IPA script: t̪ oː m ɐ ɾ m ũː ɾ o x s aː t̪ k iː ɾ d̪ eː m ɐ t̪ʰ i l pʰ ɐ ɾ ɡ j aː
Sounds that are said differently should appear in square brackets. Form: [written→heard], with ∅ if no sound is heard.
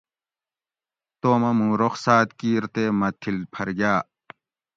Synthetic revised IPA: t̪ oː m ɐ [ɾ→∅] m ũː ɾ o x s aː t̪ k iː ɾ [d̪→t̪] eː m ɐ t̪ʰ i l pʰ ɐ ɾ ɡ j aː